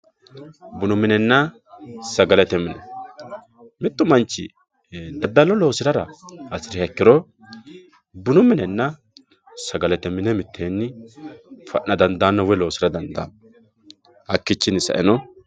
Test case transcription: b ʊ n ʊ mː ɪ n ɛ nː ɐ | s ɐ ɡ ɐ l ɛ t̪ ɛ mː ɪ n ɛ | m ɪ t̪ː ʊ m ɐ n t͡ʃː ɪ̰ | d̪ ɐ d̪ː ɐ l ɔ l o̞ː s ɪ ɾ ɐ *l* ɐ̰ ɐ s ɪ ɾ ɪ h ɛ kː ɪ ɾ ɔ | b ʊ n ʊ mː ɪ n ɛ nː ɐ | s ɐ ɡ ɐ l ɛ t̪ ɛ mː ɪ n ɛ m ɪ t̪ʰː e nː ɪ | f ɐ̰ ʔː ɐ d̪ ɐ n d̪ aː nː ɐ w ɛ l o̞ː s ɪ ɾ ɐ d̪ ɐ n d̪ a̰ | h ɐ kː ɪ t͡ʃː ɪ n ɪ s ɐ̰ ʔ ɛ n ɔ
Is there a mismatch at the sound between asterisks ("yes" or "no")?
yes